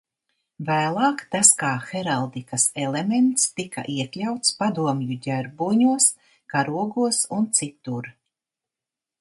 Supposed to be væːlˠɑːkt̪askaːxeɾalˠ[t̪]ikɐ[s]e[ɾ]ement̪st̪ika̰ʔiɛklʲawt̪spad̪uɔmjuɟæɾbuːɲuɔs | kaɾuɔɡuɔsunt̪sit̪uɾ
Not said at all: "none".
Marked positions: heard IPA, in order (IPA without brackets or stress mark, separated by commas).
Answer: d̪, s, l